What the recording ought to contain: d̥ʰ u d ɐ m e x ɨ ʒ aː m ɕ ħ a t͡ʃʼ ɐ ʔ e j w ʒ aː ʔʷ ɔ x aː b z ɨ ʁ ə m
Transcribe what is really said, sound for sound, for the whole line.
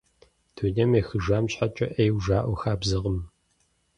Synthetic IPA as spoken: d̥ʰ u n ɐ m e x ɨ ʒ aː m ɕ ħ a t͡ʃʼ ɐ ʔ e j w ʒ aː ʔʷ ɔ x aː b z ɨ ʁ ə m